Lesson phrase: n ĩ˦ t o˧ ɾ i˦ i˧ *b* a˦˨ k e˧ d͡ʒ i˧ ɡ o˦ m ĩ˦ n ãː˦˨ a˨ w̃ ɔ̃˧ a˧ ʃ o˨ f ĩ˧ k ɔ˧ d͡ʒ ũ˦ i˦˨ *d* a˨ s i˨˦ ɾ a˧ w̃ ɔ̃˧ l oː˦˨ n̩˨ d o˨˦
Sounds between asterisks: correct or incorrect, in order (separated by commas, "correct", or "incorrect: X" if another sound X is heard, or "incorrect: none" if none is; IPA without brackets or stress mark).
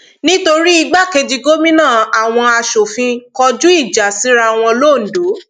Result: incorrect: ɡ͡b, incorrect: d͡ʒ